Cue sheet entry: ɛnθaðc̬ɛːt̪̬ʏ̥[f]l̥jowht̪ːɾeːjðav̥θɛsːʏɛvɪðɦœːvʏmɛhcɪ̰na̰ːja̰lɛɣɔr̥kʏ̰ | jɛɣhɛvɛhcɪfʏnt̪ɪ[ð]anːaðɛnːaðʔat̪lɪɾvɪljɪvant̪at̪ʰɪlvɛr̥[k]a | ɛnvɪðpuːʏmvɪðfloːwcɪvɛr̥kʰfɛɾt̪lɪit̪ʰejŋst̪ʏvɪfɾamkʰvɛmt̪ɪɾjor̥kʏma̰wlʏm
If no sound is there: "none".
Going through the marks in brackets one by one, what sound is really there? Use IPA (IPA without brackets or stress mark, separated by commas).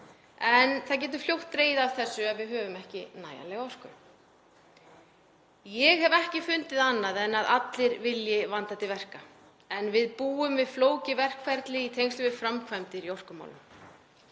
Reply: f, ð, k